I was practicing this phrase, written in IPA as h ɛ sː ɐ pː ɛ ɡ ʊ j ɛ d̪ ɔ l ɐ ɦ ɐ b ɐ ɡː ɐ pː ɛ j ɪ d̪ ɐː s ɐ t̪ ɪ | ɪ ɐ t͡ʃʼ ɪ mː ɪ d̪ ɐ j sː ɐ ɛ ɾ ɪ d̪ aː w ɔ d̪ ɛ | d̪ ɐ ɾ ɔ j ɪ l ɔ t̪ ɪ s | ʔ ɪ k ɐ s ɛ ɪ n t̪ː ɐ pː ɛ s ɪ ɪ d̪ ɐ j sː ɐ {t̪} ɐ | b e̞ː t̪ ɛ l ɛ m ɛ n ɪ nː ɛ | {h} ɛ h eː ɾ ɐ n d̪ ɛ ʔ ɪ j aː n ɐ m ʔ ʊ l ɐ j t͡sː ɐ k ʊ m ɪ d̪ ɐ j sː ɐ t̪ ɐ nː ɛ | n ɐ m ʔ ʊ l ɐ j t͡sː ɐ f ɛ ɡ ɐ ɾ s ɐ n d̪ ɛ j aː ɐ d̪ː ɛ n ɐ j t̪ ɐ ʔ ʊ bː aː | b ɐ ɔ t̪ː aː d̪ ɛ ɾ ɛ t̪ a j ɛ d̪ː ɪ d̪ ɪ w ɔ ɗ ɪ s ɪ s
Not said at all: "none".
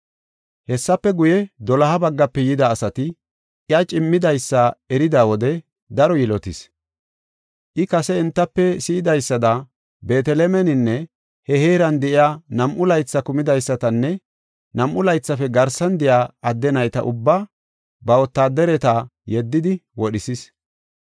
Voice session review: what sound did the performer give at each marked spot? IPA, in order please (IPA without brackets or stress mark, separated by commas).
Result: d̪, h